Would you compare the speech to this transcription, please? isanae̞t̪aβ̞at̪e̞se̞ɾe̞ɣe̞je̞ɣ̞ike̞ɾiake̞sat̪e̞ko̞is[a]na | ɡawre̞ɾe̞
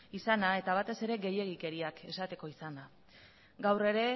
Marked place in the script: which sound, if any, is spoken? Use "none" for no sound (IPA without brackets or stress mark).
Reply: a